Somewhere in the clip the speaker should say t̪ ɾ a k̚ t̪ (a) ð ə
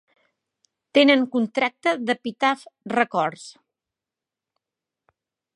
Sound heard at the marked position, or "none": ə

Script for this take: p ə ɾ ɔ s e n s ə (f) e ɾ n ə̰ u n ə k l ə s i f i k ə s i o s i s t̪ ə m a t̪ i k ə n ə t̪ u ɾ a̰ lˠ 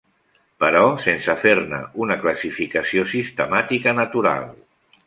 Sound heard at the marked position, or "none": f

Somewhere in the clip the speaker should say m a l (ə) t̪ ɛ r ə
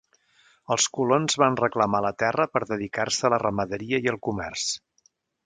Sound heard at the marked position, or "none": ə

